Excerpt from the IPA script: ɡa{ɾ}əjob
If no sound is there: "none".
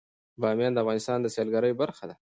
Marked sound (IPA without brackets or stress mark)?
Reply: ɾ